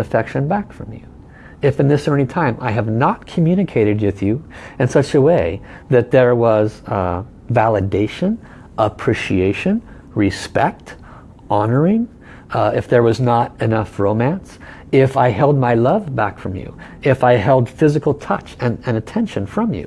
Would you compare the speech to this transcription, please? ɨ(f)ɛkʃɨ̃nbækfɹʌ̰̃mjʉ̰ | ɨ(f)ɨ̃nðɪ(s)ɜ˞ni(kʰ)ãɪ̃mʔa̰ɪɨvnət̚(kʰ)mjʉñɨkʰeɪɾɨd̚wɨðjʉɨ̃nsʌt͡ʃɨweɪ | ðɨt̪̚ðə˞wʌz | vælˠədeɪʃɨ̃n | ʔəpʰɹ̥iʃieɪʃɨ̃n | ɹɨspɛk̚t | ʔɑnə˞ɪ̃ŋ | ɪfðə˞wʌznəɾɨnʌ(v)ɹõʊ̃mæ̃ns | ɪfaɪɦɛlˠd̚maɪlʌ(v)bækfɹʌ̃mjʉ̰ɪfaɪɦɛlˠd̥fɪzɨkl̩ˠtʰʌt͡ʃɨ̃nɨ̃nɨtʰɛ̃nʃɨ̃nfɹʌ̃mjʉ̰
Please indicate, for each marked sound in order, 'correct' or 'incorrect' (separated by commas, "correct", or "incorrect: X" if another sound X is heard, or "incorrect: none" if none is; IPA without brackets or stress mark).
correct, correct, correct, incorrect: tʰ, correct, incorrect: f, correct